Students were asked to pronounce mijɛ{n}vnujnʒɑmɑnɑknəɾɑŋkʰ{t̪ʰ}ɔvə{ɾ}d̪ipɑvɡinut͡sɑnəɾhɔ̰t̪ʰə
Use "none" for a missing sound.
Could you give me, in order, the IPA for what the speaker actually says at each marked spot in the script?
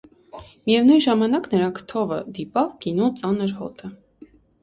none, t̪ʰ, none

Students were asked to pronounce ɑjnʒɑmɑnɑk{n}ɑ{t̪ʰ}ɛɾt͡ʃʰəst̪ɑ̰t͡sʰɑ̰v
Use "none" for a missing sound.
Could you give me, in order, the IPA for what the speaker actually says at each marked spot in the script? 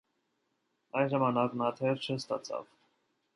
n, t̪ʰ

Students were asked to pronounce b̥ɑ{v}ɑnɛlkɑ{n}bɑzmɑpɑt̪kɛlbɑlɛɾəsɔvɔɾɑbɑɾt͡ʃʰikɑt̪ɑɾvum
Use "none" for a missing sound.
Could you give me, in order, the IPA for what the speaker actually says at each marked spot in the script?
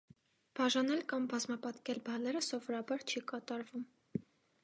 ʒ, m

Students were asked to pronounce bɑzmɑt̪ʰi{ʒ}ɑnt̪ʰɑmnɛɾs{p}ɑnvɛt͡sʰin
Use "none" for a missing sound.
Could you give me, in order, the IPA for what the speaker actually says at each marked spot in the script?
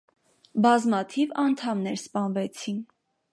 v, p

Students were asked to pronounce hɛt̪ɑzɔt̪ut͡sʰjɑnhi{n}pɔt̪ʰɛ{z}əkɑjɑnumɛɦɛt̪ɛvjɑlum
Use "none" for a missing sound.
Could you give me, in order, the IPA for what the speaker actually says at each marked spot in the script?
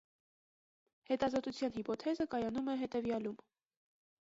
none, z

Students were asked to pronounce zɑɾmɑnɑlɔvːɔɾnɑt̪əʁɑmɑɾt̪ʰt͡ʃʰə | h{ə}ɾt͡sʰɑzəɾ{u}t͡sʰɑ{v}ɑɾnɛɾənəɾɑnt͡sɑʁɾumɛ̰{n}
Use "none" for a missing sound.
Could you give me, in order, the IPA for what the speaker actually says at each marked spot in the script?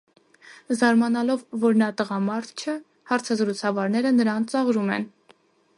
ɑ, u, v, n

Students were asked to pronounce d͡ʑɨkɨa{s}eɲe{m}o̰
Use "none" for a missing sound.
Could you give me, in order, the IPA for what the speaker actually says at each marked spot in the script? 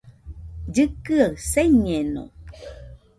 s, n

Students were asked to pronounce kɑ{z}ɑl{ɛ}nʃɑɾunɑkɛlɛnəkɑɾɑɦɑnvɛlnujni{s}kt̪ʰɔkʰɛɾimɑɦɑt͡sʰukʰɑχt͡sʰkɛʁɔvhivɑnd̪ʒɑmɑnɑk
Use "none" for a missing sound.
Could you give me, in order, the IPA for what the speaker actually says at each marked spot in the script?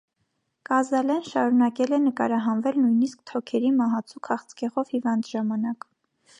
z, ɛ, s

